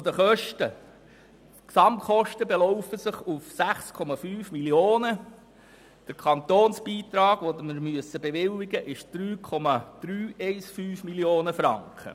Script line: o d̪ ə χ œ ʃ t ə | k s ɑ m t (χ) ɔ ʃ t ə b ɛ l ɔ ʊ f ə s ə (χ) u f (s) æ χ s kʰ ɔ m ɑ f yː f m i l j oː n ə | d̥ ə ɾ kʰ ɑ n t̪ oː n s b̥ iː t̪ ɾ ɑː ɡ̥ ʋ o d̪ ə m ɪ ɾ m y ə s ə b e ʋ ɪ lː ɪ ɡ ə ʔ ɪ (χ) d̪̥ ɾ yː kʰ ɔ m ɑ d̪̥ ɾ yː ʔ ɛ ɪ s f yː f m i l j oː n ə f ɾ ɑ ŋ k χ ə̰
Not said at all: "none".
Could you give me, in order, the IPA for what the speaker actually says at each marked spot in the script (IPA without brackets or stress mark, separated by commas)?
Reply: χ, χ, s, ʃ